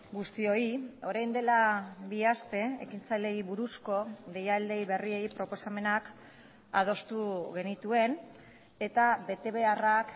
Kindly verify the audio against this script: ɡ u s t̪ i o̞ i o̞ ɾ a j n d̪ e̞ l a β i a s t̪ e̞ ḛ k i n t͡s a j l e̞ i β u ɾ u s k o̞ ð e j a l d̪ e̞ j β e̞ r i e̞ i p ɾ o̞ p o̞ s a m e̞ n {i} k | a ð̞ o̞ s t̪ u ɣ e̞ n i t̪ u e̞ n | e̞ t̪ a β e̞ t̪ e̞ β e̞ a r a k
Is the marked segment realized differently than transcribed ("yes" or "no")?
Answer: yes